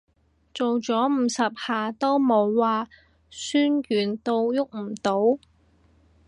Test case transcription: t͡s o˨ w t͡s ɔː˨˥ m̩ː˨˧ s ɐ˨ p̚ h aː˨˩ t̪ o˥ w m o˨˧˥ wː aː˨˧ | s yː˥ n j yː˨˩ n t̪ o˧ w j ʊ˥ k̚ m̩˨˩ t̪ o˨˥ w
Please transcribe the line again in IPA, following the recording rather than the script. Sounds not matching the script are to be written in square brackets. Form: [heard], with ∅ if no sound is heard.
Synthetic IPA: t͡s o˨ w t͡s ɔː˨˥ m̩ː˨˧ s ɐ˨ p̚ h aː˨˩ t̪ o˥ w m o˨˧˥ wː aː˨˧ | s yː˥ n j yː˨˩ n t̪ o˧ w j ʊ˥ k̚ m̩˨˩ t̪ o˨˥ w